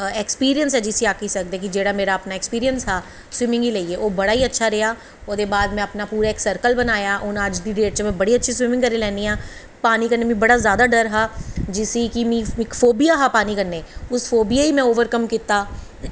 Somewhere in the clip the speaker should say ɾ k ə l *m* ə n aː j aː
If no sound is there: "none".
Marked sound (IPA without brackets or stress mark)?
b